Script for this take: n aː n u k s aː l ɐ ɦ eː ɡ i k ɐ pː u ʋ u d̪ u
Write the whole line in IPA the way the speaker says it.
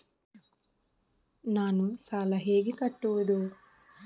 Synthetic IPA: n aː n u s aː l ɐ ɦ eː ɡ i k ɐ ʈː u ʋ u d̪ u